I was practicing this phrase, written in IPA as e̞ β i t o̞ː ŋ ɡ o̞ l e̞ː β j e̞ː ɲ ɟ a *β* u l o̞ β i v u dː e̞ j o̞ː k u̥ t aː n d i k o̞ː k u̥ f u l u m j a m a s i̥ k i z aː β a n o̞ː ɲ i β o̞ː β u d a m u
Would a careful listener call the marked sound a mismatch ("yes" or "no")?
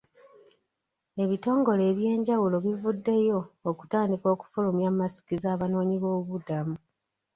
yes